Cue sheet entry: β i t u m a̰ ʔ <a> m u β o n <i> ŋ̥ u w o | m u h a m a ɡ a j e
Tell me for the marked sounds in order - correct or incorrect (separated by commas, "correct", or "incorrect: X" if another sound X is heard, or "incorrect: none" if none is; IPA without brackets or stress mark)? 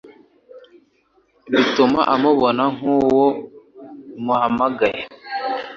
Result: correct, incorrect: a